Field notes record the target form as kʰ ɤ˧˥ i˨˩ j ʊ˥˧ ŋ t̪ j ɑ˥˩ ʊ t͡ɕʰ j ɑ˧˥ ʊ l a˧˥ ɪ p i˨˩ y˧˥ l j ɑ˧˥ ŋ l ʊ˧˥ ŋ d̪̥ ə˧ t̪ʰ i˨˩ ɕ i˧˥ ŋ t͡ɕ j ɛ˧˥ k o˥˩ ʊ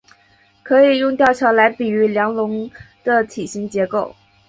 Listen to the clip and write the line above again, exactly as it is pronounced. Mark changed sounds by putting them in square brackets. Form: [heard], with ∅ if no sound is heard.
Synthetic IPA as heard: kʰ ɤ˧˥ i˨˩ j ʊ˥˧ ŋ t̪ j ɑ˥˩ ʊ t͡ɕʰ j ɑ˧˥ ʊ l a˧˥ ɪ p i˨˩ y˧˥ l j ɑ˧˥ ŋ l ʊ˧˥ ŋ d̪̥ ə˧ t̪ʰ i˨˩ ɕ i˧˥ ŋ t͡ɕ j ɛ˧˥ k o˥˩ ʊ